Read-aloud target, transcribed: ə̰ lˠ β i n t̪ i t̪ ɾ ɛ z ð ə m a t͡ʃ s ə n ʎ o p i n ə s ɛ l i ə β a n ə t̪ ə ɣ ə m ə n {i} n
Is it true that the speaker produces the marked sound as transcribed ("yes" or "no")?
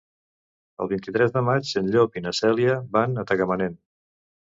no